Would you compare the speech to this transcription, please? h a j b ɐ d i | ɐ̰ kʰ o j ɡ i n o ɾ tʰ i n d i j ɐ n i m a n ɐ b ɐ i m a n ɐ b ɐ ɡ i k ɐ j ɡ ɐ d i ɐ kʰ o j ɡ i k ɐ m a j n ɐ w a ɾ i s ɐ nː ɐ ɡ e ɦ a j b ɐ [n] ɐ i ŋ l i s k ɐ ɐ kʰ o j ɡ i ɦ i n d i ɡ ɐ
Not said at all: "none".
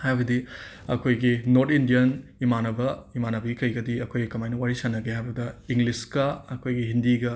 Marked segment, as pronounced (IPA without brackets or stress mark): d